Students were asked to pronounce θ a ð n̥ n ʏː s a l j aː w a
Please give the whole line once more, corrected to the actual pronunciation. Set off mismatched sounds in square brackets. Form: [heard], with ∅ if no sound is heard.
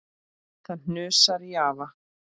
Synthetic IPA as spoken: θ a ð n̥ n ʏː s a [ɾ] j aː [v] a